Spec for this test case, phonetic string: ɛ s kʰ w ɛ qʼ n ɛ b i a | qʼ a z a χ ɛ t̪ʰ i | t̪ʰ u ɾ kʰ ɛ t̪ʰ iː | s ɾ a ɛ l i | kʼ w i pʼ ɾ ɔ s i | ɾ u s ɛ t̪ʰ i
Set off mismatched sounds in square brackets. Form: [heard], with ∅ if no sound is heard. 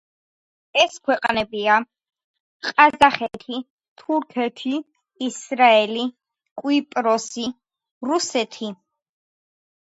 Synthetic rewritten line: ɛ s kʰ w ɛ qʼ n ɛ b i a | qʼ a z a χ ɛ t̪ʰ i | t̪ʰ u ɾ kʰ ɛ t̪ʰ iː | s ɾ a ɛ l i | kʼ w i pʼ ɾ ɔ s i | ɾ u s ɛ t̪ʰ i

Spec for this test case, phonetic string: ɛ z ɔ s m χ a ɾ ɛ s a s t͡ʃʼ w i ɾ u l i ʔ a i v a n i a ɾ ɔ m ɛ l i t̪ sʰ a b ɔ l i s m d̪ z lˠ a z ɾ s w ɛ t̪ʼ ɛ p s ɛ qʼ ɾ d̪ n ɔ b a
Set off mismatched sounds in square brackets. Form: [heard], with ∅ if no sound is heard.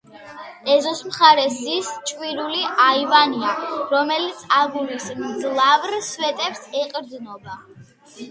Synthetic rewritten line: ɛ z ɔ s m χ a ɾ ɛ s [i] s t͡ʃʼ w i ɾ u l i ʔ a i v a n i a ɾ ɔ m ɛ l i t̪ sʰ a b [u] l i s m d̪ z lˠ a [v] ɾ s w ɛ t̪ʼ ɛ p s ɛ qʼ ɾ d̪ n ɔ b a

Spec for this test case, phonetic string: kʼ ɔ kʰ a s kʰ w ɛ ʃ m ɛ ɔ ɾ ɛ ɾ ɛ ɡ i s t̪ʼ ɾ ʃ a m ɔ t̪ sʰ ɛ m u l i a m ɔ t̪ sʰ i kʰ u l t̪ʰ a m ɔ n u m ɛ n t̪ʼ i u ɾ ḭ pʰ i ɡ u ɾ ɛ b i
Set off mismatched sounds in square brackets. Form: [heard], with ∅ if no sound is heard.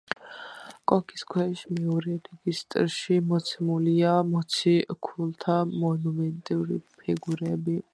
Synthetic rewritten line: kʼ ɔ kʰ [i] s kʰ w ɛ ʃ m ɛ ɔ ɾ ɛ ɾ ɛ ɡ i s t̪ʼ ɾ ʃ [i] m ɔ t̪ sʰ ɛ m u l i a m ɔ t̪ sʰ i kʰ u l t̪ʰ a m ɔ n u m ɛ n t̪ʼ i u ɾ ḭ pʰ i ɡ u ɾ ɛ b i

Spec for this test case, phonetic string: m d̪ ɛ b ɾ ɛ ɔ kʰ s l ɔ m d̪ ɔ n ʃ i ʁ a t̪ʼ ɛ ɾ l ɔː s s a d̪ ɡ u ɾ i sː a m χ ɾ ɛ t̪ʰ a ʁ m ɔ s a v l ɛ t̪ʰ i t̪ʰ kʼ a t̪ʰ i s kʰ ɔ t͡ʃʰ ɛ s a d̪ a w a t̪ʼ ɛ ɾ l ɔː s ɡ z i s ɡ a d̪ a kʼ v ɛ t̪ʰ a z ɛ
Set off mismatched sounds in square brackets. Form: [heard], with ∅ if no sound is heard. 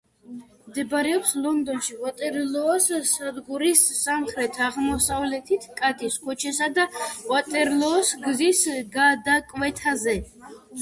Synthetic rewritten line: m d̪ ɛ b ɾ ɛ ɔ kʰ s l ɔ [n] d̪ ɔ n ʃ i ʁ a t̪ʼ ɛ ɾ l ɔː s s a d̪ ɡ u ɾ i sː a m χ ɾ ɛ t̪ʰ a ʁ m ɔ s a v l ɛ t̪ʰ i t̪ʰ kʼ a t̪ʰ i s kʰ ɔ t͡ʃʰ ɛ s a d̪ a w a t̪ʼ ɛ ɾ l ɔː s ɡ z i s ɡ a d̪ a kʼ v ɛ t̪ʰ a z ɛ

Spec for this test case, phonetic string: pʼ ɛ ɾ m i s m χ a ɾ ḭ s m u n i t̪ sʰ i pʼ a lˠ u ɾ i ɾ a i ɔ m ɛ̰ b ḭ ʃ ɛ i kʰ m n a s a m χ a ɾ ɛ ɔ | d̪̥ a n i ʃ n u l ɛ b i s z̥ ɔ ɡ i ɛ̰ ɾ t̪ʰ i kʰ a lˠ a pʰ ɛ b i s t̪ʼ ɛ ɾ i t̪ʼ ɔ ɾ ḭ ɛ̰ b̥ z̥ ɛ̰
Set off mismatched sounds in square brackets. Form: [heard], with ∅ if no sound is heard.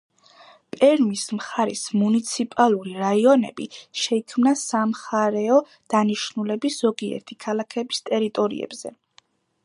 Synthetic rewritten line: pʼ ɛ ɾ m i s m χ a ɾ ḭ s m u n i t̪ sʰ i pʼ a lˠ u ɾ i ɾ a i ɔ [n] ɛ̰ b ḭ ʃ ɛ i kʰ m n a s a m χ a ɾ ɛ ɔ | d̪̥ a n i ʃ n u l ɛ b i s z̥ ɔ ɡ i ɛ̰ ɾ t̪ʰ i kʰ a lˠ a [kʰ] ɛ b i s t̪ʼ ɛ ɾ i t̪ʼ ɔ ɾ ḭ ɛ̰ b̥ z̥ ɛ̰

